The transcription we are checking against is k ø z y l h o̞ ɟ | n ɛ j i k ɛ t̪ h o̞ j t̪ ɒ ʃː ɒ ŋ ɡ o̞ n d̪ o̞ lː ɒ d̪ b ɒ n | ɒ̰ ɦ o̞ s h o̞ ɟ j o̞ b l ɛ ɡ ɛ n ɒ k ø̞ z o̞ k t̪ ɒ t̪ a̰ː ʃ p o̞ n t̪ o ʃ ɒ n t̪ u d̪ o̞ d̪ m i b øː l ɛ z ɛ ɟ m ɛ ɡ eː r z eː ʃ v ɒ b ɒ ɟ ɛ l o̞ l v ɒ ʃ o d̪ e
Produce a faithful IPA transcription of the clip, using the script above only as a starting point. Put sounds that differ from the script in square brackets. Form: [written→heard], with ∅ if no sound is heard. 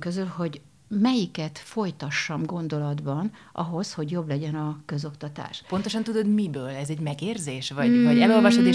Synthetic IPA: k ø z y l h o̞ ɟ | [n→m] ɛ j i k ɛ t̪ [h→f] o̞ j t̪ ɒ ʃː ɒ [ŋ→m] ɡ o̞ n d̪ o̞ [lː→l] ɒ d̪ b ɒ n | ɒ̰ ɦ o̞ s h o̞ ɟ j o̞ b l ɛ [ɡ→ɟ] ɛ n ɒ k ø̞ z o̞ k t̪ ɒ t̪ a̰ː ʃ p o̞ n t̪ o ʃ ɒ n t̪ u d̪ o̞ d̪ m i b øː l ɛ z ɛ ɟ m ɛ ɡ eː r z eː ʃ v ɒ [b→v] ɒ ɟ ɛ l o̞ l v ɒ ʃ o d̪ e